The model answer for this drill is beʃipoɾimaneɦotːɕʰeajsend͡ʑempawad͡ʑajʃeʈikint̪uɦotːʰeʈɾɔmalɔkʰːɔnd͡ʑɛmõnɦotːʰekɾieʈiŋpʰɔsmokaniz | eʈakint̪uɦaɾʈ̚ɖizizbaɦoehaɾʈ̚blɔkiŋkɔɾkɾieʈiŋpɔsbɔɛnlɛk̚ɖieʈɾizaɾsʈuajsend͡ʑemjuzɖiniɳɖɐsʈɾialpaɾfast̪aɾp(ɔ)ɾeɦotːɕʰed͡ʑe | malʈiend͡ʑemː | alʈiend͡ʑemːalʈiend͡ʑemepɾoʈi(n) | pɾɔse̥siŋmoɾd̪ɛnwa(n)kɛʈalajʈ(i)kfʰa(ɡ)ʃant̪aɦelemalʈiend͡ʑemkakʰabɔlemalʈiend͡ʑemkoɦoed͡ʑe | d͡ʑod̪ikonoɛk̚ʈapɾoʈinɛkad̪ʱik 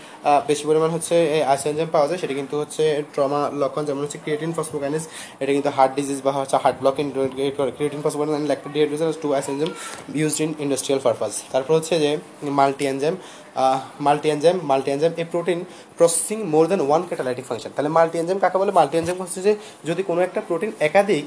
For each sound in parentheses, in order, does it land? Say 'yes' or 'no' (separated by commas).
yes, yes, yes, yes, no